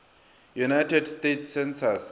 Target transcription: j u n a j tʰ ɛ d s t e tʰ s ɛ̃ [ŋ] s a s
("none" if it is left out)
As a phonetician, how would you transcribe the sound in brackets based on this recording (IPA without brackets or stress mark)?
n